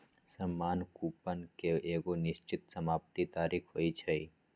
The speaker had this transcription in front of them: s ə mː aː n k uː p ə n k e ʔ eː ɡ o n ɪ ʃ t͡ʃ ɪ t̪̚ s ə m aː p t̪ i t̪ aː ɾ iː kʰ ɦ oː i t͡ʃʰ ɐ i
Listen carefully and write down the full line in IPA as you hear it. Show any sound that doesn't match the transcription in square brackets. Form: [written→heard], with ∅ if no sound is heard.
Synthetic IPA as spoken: s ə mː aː n k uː p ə n k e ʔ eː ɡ o n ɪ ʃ t͡ʃ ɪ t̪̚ s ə m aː p t̪ i t̪ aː ɾ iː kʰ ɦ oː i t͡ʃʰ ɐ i

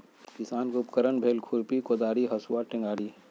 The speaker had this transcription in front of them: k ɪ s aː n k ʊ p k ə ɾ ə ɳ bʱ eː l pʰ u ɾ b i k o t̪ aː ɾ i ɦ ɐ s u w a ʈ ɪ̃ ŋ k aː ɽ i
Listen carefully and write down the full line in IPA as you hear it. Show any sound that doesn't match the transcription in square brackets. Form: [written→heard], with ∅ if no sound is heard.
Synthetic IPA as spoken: k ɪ s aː n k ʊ p k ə ɾ ə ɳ bʱ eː l [pʰ→kʰ] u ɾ [b→p] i k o [t̪→d̪] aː ɾ i ɦ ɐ s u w a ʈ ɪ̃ ŋ [k→ɡ] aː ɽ i

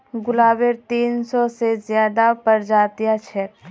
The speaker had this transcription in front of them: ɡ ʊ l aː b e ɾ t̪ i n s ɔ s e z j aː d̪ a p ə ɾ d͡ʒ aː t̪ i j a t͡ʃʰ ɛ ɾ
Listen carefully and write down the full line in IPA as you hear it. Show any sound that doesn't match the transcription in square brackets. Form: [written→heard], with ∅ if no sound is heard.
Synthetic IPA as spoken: ɡ ʊ l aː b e ɾ t̪ [i→iː] n s ɔ s e z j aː d̪ a p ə ɾ d͡ʒ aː t̪ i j a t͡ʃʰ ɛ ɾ

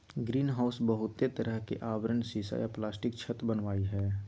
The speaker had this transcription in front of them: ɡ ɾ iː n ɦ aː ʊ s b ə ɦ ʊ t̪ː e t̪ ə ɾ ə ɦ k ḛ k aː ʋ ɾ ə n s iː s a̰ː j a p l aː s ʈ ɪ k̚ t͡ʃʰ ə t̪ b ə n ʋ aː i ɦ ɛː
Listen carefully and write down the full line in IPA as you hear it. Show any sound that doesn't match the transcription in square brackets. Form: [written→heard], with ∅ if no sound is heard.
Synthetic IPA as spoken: ɡ ɾ iː n ɦ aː ʊ s b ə ɦ ʊ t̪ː e t̪ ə ɾ ə ɦ k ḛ [k→ʔ] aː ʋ ɾ ə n s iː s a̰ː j a p l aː s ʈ ɪ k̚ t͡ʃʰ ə t̪ b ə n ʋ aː i ɦ ɛː

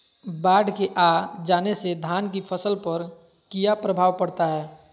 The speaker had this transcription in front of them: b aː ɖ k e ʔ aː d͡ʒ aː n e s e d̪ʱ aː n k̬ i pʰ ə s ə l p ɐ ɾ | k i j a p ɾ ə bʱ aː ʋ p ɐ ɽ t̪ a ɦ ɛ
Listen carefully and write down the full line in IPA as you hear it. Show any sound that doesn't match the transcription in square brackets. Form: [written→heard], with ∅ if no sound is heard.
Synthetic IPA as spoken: b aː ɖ k e ʔ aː d͡ʒ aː n e s e d̪ʱ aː n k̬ i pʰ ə s ə l p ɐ ɾ | k i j a p ɾ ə bʱ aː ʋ p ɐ ɽ t̪ a ɦ [ɛ→ɛː]

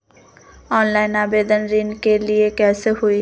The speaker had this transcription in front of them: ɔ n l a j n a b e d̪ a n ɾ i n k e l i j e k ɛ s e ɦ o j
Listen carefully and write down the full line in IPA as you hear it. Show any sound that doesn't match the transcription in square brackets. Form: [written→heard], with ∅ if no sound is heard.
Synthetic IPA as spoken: ɔ n l a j n a b e d̪ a n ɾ i n k e l i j e k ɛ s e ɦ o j

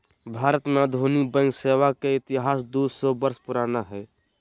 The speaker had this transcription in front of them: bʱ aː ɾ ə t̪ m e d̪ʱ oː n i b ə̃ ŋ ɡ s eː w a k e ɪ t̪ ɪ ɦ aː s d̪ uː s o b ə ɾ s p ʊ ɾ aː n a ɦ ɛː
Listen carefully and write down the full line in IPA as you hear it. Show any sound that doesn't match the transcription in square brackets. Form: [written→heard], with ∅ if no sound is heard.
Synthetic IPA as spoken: bʱ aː ɾ ə t̪ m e d̪ʱ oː n i b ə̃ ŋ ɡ s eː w a k e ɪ t̪ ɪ ɦ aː s d̪ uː s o b ə ɾ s p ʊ ɾ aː n a ɦ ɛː

